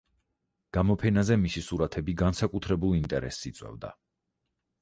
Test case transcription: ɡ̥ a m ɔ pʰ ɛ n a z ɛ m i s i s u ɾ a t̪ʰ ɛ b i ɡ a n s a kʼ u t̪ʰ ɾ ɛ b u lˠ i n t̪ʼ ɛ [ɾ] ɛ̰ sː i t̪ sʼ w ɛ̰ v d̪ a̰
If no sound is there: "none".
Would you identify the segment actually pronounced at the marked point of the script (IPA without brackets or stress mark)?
ɾ